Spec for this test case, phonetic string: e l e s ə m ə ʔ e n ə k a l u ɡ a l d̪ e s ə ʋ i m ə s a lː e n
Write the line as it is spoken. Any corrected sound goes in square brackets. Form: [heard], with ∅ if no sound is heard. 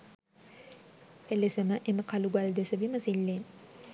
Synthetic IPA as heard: e l e s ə m ə ʔ e [m] ə k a l u ɡ a l d̪ e s ə ʋ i m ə s [i] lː e n